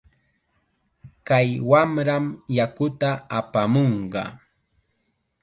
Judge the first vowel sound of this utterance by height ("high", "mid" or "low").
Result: low